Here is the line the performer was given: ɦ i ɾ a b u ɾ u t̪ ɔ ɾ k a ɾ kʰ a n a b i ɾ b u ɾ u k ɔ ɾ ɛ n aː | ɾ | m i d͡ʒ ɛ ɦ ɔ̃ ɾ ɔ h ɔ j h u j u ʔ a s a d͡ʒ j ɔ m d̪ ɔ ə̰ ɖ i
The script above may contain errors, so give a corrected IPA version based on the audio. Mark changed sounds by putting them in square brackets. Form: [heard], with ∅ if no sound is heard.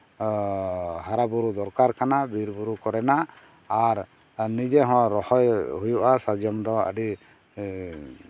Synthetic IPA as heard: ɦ [a] ɾ a b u ɾ u [d̪] ɔ ɾ k a ɾ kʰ a n a b i ɾ b u ɾ u k ɔ ɾ ɛ n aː | ɾ | [n] i d͡ʒ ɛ ɦ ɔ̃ ɾ ɔ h ɔ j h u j u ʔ a s a d͡ʒ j ɔ m d̪ ɔ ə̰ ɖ i